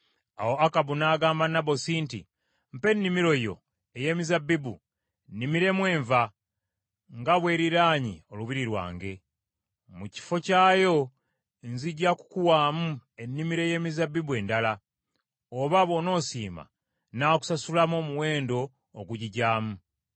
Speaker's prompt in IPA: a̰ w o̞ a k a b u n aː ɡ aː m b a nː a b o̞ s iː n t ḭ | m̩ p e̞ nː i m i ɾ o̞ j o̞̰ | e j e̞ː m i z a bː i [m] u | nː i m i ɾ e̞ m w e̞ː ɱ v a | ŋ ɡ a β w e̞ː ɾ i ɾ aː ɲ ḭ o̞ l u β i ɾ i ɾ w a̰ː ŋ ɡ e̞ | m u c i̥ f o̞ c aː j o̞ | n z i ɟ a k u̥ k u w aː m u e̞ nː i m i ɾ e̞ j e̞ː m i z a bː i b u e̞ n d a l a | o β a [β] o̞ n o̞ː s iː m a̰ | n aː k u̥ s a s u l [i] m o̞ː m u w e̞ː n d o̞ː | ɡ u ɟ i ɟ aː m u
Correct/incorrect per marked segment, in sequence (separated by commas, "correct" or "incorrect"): incorrect, correct, incorrect